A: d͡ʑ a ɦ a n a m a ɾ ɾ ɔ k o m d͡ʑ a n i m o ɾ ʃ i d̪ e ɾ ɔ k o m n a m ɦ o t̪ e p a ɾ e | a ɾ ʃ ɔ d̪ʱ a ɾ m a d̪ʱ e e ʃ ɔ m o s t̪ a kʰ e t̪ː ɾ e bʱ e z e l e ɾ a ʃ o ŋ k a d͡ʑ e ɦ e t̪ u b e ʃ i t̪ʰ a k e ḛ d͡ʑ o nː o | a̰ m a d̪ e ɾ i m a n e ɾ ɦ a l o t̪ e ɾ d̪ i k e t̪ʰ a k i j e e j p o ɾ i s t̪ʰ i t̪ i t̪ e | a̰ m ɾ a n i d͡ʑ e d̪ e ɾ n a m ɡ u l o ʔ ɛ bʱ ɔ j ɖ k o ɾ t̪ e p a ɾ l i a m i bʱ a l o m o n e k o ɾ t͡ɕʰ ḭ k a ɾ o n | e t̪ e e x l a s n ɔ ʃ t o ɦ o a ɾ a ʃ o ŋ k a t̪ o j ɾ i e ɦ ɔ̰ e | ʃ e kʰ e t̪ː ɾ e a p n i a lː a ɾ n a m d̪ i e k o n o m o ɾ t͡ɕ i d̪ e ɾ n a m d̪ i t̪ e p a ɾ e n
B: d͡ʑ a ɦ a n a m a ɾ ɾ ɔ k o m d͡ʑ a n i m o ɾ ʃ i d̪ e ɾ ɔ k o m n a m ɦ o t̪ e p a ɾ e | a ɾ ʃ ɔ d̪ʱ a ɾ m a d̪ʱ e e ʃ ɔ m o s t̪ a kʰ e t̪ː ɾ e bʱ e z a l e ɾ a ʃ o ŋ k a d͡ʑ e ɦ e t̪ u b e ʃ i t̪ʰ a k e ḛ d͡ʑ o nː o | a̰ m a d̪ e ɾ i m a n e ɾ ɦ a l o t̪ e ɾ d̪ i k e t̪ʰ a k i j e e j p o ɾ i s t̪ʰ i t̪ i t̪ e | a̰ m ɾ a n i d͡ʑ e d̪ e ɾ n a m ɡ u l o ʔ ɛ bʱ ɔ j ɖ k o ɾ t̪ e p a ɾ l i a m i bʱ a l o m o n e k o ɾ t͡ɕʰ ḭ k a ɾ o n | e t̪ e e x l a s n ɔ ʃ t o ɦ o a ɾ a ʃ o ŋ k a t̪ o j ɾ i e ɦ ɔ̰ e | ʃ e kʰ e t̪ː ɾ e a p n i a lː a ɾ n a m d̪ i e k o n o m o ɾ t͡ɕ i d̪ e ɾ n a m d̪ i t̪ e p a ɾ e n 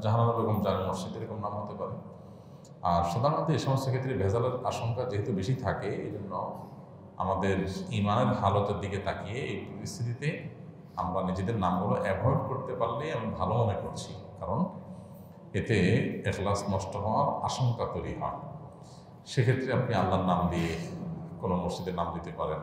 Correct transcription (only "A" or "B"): B